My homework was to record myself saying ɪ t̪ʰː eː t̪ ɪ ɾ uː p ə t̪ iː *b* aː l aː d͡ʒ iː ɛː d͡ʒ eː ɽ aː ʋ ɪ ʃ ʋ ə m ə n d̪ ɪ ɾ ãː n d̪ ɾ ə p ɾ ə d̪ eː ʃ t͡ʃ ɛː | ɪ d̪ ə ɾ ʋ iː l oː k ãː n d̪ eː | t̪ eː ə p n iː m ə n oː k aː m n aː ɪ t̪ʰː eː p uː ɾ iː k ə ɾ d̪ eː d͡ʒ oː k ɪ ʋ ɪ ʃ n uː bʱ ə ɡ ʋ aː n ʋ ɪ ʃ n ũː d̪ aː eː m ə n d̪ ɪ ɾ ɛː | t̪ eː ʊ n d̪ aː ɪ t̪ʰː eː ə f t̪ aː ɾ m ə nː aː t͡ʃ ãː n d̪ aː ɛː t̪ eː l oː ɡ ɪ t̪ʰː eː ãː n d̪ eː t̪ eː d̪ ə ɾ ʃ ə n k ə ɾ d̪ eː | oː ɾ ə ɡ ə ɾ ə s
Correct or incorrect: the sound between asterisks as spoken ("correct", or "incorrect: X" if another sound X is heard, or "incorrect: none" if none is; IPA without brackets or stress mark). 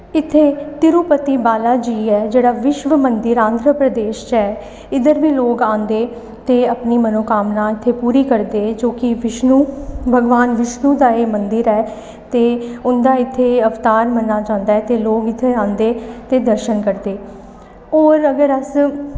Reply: correct